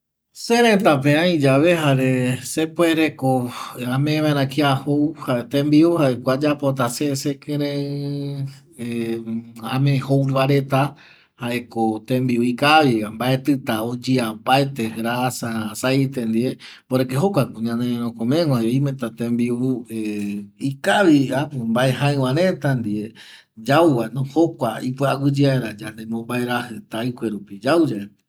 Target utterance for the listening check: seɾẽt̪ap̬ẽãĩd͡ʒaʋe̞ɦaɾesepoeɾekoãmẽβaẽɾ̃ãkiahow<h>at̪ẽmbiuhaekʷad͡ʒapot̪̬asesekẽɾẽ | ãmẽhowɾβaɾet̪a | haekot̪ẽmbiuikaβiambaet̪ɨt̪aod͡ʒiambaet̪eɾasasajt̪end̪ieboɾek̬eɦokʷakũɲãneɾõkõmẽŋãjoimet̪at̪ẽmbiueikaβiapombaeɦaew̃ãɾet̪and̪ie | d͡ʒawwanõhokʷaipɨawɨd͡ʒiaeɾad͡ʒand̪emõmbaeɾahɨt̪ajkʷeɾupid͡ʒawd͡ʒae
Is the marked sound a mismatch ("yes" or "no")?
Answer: no